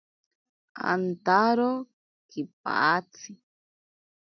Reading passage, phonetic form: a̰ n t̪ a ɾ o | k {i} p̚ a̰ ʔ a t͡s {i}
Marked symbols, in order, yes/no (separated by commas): yes, yes